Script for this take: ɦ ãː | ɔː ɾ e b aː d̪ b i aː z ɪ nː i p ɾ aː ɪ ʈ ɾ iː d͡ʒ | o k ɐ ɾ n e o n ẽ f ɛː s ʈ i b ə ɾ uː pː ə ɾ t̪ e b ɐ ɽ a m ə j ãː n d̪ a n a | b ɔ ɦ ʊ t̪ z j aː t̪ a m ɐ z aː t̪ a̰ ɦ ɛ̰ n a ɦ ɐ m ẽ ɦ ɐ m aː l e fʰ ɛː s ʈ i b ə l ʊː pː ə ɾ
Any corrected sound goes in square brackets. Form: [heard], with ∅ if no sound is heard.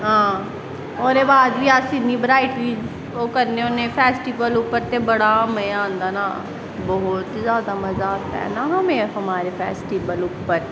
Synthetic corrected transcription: ɦ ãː | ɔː ɾ e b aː d̪ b i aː [s] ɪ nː i [b] ɾ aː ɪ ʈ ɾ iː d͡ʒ | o k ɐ ɾ n e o n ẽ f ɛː s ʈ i b ə [l] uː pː ə ɾ t̪ e b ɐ ɽ a m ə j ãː n d̪ a n a | b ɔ ɦ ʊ t̪ z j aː [d̪] a m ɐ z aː t̪ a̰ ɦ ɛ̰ n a ɦ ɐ m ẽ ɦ ɐ m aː [ɾ] e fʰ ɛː s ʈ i b ə l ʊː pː ə ɾ

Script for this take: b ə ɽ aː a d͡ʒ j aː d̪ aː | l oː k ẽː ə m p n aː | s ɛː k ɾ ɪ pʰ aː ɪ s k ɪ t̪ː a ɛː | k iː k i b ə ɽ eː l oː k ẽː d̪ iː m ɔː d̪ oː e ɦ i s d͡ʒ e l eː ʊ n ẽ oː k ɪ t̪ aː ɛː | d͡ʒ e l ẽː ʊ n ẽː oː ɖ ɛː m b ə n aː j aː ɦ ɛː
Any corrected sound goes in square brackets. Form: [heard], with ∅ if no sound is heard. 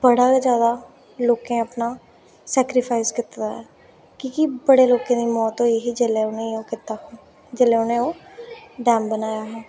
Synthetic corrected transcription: b ə ɽ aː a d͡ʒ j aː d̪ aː | l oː k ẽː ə [∅] p n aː | s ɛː k ɾ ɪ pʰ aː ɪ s k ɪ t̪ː a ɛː | k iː k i b ə ɽ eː l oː k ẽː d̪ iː m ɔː [t̪] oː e ɦ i [∅] d͡ʒ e l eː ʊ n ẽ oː k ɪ t̪ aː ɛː | d͡ʒ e l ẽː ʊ n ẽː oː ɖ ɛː m b ə n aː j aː ɦ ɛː

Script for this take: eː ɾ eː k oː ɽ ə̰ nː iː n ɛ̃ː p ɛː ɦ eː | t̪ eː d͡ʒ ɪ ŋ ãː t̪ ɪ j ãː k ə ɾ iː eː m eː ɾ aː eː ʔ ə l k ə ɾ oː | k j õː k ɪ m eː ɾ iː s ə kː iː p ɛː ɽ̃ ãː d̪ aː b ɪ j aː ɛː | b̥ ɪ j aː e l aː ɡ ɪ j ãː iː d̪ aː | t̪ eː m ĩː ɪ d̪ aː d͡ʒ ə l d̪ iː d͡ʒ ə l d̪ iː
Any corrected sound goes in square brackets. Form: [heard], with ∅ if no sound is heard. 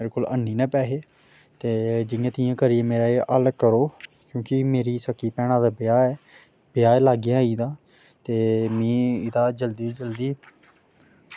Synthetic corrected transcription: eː ɾ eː k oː [l] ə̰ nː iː n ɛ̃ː p ɛː ɦ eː | t̪ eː d͡ʒ ɪ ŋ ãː t̪ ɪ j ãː k ə ɾ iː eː m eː ɾ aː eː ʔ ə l k ə ɾ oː | k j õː k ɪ m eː ɾ iː s ə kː iː p ɛː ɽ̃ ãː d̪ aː b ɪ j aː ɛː | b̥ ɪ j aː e l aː ɡ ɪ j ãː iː d̪ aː | t̪ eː m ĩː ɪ d̪ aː d͡ʒ ə l d̪ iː d͡ʒ ə l d̪ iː

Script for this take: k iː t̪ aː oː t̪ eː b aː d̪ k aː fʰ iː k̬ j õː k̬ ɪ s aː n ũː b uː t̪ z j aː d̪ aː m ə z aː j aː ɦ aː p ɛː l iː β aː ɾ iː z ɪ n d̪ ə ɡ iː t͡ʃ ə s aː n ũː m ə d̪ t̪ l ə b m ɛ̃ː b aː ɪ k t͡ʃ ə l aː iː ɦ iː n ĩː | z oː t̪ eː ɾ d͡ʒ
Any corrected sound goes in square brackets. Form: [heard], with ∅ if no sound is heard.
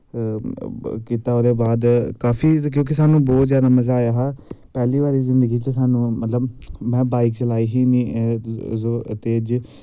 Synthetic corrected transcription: k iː t̪ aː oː [d̪] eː b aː d̪ k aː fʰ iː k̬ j õː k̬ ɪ s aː n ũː b [ɔː] t̪ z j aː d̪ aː m ə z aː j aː ɦ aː p ɛː l iː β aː ɾ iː z ɪ n d̪ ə ɡ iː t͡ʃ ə s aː n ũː m ə [∅] t̪ l ə b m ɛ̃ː b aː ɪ k t͡ʃ ə l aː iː ɦ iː n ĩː | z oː t̪ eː [∅] d͡ʒ

